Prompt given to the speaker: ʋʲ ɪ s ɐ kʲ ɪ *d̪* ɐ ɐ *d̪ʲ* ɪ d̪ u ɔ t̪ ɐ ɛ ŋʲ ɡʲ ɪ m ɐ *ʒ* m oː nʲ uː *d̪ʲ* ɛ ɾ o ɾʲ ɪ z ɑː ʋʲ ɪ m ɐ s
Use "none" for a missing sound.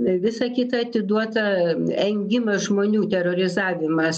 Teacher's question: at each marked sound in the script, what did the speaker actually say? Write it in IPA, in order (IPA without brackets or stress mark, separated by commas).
t̪, t̪ʲ, ʒ, t̪ʲ